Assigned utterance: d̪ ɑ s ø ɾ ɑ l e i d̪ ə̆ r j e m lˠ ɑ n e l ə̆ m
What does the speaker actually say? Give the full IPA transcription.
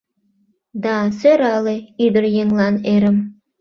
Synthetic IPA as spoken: d̪ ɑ s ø ɾ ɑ l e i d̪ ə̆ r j e ŋ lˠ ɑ n e ɾ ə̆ m